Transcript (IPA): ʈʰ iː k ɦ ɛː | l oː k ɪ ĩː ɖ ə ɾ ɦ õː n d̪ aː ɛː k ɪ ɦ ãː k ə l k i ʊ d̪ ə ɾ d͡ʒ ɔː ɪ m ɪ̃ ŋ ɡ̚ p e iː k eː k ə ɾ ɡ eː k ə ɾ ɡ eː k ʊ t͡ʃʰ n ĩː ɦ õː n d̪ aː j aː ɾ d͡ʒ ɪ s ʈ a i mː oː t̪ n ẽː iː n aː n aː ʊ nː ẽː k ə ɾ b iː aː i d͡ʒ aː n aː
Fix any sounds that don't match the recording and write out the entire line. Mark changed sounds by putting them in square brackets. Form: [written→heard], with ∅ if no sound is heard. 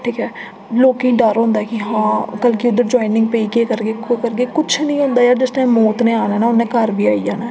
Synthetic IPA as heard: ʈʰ iː k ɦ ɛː | l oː k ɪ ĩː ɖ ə ɾ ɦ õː n d̪ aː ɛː k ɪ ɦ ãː k ə l k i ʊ d̪ ə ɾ d͡ʒ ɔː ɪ [m→n] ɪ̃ ŋ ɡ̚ p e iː k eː k ə ɾ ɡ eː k ə ɾ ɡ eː k ʊ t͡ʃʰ n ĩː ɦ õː n d̪ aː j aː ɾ d͡ʒ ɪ s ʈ a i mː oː t̪ n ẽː [iː→aː] n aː n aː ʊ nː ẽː k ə ɾ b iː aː i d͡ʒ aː n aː